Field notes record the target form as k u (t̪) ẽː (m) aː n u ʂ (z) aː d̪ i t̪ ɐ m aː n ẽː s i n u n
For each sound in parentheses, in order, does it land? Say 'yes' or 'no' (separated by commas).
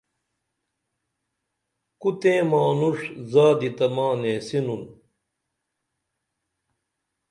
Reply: yes, yes, yes